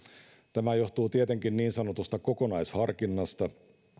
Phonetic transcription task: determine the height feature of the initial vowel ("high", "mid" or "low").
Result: low